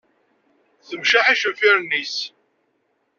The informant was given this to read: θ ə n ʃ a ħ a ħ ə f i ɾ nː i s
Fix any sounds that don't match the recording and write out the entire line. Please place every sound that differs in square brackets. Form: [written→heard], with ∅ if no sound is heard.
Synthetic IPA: θ ə [n→m] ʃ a ħ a [ħ→ʃ] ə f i ɾ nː i s